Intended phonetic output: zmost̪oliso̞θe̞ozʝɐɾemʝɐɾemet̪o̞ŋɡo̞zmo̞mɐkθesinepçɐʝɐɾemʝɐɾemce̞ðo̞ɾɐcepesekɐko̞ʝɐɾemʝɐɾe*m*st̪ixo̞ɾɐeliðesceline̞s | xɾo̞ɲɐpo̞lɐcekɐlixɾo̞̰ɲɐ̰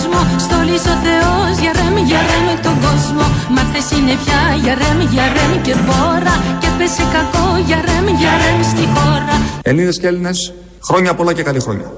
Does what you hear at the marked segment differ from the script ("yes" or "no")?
no